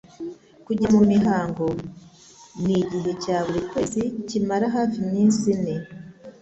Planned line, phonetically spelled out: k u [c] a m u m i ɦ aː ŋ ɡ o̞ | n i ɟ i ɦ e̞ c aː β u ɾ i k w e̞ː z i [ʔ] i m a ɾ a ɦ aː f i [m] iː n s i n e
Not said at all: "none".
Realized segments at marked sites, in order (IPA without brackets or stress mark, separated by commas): ɟ, c, m